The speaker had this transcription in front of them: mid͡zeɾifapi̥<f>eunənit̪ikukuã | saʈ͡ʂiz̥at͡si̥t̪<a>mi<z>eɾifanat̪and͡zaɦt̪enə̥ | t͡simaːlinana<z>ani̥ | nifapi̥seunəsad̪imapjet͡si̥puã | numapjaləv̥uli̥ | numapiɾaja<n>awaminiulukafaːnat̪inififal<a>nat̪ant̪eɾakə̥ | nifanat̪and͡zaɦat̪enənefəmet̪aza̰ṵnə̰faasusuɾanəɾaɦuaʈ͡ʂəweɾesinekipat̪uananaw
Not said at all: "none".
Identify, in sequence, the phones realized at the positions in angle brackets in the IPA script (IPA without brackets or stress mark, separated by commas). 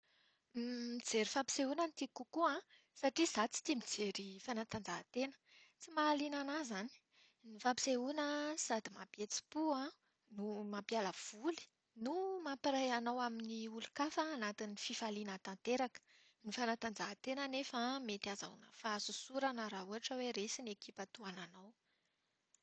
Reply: s, i, d͡z, z, n, i